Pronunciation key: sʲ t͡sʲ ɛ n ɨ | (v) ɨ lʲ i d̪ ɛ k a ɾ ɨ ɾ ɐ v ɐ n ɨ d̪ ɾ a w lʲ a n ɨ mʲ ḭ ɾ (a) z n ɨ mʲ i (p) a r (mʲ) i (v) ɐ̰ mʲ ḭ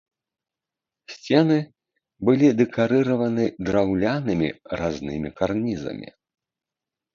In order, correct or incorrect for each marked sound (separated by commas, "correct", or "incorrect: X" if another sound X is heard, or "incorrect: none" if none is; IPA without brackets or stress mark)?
incorrect: b, correct, incorrect: k, incorrect: nʲ, incorrect: z